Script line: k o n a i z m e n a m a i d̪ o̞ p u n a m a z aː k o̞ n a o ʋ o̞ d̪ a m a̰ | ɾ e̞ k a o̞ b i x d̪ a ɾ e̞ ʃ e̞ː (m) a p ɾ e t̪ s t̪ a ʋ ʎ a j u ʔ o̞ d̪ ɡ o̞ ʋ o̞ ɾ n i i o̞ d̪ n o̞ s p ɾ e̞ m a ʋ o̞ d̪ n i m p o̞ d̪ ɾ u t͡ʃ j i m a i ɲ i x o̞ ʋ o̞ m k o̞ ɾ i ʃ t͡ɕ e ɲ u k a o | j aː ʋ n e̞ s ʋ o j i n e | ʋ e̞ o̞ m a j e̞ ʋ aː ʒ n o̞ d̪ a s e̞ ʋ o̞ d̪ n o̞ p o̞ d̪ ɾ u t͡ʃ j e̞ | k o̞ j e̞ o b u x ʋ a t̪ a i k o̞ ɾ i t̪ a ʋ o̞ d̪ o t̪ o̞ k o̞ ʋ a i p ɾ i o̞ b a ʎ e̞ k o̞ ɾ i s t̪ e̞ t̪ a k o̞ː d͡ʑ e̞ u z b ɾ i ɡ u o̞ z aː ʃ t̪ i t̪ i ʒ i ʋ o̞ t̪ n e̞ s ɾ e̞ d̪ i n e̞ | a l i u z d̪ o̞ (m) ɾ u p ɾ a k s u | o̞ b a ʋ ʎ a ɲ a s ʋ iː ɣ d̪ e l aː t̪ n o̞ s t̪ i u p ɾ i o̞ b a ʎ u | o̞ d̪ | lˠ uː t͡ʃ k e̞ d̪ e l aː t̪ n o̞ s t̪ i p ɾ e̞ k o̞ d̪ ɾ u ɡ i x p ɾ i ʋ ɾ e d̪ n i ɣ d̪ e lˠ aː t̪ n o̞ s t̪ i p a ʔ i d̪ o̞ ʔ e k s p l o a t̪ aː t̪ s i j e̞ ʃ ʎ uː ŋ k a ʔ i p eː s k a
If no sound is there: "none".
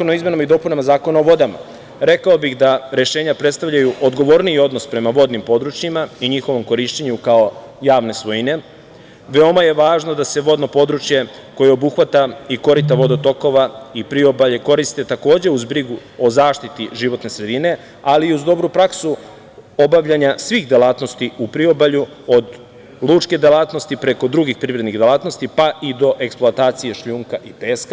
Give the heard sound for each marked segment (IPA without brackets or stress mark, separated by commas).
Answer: ɲ, b